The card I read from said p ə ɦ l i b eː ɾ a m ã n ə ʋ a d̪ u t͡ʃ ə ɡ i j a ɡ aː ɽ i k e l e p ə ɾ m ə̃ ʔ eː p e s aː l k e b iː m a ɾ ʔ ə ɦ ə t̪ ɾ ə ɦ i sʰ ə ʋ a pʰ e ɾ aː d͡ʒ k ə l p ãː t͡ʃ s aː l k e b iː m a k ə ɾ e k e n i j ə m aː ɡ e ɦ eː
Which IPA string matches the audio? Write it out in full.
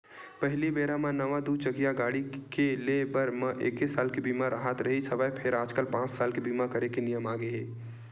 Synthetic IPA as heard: p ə ɦ l i b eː ɾ a m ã n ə ʋ a d̪ u t͡ʃ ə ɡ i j a ɡ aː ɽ i k e l e b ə ɾ m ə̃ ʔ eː k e s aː l k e b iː m a ɾ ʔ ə ɦ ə t̪ ɾ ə ɦ i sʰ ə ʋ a pʰ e ɾ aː d͡ʒ k ə l p ãː t͡ʃ s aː l k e b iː m a k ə ɾ e k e n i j ə m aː ɡ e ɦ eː